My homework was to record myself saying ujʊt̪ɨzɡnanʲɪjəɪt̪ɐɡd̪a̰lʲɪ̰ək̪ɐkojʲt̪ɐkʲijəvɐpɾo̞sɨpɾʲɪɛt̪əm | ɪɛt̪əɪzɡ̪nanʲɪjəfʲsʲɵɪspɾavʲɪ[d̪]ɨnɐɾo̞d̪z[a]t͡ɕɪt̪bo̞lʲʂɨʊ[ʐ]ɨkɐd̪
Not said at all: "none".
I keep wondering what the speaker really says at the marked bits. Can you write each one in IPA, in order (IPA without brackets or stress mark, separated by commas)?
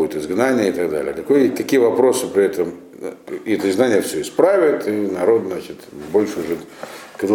t̪, a, ʐ